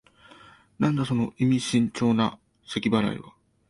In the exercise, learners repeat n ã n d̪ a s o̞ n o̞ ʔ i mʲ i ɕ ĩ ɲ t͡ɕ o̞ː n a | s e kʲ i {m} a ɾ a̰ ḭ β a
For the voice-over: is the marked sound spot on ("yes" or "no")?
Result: no